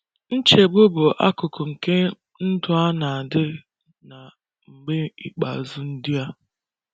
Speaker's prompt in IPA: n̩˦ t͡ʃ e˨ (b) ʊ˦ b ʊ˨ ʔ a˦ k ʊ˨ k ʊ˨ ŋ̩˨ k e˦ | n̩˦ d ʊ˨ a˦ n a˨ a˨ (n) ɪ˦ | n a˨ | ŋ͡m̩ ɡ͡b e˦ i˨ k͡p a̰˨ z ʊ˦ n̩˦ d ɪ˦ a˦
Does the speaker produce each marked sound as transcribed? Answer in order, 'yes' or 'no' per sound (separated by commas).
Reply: yes, no